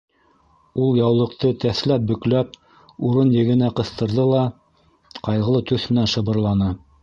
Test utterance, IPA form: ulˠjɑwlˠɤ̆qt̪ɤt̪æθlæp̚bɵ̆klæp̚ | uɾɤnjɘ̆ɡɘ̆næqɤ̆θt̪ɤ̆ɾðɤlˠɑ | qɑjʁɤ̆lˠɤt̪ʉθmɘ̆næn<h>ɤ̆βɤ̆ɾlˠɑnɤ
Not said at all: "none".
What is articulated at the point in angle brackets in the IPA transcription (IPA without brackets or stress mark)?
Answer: ʃ